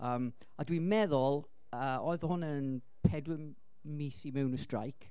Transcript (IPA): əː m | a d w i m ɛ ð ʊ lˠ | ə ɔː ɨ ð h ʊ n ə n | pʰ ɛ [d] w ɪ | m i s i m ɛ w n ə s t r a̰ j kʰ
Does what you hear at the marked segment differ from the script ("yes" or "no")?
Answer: no